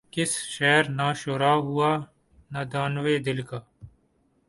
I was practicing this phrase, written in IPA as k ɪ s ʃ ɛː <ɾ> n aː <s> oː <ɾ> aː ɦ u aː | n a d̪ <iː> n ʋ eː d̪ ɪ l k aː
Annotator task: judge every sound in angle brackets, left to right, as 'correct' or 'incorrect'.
correct, incorrect: ʃ, correct, incorrect: aː

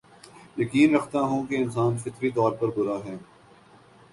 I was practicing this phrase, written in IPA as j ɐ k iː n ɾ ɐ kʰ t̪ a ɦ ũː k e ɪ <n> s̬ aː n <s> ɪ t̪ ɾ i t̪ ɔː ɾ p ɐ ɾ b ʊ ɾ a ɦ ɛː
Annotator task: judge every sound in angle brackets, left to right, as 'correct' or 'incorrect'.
correct, incorrect: f

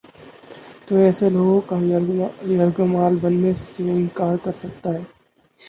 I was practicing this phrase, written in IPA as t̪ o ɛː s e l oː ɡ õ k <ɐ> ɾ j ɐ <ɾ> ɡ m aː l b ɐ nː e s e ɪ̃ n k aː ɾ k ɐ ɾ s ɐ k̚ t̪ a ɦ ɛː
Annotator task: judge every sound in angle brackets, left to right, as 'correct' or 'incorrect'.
incorrect: a, correct

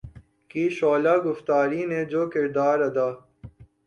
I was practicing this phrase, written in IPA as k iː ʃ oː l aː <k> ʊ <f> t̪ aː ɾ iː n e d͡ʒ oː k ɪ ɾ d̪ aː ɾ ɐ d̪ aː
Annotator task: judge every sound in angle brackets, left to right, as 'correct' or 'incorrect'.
incorrect: ɡ, correct

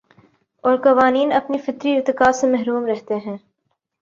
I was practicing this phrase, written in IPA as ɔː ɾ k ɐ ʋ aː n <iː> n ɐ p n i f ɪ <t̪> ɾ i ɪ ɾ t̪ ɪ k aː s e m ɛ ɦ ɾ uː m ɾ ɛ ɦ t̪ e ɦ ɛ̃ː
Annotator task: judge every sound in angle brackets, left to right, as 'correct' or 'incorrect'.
correct, correct

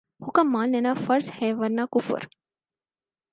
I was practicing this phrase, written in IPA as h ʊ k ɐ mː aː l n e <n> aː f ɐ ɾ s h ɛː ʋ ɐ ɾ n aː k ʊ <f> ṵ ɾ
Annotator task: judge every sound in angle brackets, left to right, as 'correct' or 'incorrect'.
correct, correct

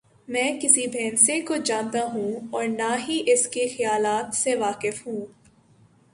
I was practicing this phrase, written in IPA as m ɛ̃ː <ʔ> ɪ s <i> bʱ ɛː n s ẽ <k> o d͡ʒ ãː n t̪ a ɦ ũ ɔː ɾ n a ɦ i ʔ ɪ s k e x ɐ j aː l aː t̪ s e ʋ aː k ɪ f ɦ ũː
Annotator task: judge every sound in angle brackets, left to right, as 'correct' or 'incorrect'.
incorrect: k, correct, correct

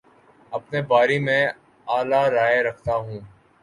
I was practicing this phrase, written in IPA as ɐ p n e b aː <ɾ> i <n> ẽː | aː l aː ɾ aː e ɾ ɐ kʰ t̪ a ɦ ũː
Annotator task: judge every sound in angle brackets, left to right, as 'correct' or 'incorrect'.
correct, incorrect: m

